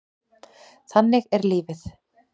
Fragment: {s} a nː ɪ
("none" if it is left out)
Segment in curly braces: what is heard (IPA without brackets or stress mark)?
θ